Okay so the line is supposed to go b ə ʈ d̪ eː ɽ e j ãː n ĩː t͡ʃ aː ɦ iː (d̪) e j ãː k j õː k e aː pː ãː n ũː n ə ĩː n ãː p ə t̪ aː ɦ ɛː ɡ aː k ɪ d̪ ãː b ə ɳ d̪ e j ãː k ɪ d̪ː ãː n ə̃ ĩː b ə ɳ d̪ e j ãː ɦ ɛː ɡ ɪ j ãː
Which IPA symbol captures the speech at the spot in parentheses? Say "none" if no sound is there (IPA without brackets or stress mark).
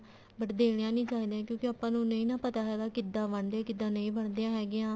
d̪